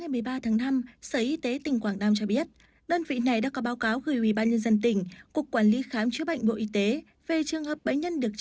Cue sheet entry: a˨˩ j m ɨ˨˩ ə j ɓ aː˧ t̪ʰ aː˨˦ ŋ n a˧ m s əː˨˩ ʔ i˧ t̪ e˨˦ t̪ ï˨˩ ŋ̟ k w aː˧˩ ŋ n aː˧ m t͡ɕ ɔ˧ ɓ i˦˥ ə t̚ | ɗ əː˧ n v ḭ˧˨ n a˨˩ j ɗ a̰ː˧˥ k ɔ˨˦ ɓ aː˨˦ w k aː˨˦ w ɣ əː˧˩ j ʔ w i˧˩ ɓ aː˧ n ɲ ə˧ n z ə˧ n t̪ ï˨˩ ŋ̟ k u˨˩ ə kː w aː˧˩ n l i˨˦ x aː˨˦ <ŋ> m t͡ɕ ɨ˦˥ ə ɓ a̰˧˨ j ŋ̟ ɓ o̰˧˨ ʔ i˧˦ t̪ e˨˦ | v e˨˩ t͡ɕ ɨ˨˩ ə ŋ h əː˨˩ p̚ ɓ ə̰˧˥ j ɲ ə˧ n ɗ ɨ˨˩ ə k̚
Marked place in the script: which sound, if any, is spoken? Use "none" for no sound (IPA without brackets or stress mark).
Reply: none